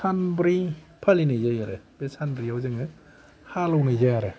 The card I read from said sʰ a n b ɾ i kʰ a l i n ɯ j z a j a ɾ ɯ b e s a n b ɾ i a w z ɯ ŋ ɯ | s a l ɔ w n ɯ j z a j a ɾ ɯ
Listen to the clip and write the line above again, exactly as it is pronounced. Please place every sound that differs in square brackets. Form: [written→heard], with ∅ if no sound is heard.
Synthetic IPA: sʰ a n b ɾ i [kʰ→pʰ] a l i n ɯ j z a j a ɾ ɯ b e s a n b ɾ i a w z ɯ ŋ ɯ | [s→h] a l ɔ w n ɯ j z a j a ɾ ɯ